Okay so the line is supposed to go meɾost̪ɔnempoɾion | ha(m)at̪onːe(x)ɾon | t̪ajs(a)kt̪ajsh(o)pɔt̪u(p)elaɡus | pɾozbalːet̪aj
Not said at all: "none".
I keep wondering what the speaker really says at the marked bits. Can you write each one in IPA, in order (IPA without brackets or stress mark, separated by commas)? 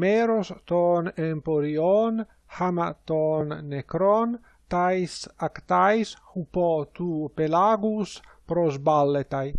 m, k, a, u, p